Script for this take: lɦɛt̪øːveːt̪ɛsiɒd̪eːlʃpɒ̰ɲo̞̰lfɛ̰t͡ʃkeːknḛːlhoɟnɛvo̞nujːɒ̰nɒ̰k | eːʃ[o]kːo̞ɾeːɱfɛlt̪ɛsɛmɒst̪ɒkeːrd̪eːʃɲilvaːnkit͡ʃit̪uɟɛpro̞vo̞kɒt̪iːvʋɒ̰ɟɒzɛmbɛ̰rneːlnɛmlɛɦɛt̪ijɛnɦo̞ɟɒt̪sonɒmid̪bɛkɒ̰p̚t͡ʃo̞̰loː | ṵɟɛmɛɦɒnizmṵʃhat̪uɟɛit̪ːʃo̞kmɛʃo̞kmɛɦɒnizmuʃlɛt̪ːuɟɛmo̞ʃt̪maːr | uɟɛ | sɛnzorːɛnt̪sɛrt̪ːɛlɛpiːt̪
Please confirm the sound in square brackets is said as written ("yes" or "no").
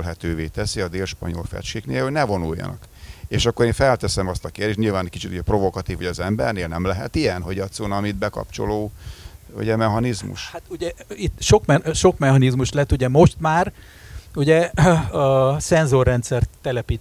no